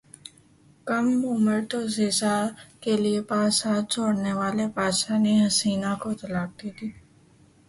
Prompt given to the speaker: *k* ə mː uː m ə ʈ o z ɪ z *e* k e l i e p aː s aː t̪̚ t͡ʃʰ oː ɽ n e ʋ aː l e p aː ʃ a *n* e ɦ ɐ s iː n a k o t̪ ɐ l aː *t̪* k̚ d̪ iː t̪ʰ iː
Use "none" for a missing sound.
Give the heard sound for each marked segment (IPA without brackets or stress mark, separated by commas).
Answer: k, a, n, none